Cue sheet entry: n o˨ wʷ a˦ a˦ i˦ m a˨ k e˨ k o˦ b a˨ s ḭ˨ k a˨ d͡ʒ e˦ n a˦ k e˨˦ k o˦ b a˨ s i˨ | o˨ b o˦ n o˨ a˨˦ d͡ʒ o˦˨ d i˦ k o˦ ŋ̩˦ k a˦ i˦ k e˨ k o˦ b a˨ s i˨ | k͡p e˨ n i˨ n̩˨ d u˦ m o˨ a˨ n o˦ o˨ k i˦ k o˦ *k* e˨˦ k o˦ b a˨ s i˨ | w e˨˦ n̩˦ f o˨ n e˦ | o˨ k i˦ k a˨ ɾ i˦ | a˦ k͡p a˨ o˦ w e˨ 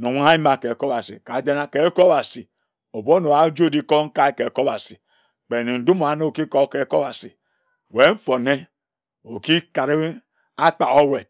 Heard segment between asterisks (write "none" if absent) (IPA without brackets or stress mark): k